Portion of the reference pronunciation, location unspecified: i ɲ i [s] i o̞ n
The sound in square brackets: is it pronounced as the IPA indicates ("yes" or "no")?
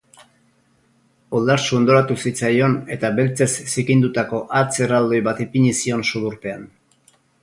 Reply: yes